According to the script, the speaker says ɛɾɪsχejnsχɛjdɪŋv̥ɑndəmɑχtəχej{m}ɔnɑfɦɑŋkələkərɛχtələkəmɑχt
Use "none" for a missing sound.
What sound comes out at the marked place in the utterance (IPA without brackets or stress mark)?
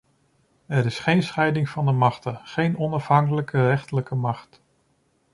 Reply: n